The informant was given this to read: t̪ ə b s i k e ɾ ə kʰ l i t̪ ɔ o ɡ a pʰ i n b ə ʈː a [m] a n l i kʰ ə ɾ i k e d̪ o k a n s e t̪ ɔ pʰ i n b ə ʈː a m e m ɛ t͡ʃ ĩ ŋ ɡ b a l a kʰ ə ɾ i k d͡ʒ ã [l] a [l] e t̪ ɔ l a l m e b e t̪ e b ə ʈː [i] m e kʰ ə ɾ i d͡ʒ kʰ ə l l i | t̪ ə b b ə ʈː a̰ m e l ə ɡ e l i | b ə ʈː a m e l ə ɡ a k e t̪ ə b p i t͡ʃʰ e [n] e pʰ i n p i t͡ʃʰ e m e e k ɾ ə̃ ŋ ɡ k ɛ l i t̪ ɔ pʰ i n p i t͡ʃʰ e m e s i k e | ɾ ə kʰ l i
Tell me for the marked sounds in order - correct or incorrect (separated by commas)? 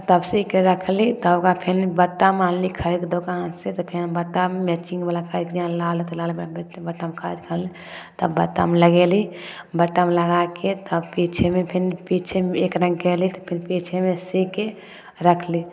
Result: correct, correct, correct, incorrect, incorrect